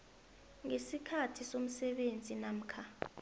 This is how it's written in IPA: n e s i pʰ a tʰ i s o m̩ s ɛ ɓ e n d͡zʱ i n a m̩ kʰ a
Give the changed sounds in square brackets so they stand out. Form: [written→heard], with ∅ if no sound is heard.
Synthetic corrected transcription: [n→ŋ] e s i [pʰ→kʰ] a tʰ i s o m̩ s ɛ ɓ e n d͡zʱ i n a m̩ kʰ a